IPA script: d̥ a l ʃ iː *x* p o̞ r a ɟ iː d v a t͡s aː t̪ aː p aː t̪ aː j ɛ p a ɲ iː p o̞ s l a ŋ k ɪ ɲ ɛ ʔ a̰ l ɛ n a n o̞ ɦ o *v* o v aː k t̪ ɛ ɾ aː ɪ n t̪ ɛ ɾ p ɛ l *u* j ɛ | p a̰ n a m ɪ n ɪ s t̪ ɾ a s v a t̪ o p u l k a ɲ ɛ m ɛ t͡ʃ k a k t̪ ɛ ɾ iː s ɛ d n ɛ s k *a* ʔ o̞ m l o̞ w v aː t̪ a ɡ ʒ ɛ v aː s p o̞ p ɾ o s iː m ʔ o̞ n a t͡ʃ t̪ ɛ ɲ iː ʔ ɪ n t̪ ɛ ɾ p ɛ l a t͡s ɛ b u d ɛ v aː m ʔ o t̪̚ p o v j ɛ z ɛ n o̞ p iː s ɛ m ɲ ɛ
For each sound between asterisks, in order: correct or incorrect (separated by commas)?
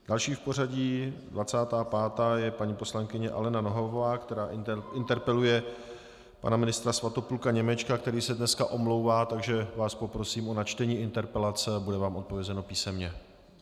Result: incorrect, correct, correct, correct